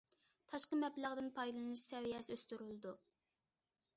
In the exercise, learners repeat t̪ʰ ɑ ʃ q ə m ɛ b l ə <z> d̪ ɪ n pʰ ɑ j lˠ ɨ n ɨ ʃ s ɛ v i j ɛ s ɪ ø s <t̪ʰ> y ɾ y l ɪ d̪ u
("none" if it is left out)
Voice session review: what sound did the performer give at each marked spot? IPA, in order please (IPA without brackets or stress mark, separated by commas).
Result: ʁ, t̪